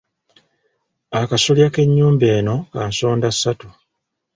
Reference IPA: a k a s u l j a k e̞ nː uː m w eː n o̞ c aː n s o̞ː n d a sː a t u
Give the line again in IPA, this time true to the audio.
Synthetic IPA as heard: a k a s o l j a k e̞ ɲː uː m b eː n o̞ k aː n s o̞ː n d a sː a t u